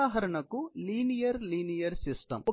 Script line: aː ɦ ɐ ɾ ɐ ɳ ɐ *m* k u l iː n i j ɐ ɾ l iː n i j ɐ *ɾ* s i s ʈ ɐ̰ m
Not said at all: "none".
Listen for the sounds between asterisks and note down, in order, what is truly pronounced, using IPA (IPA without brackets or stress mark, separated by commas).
none, ɾ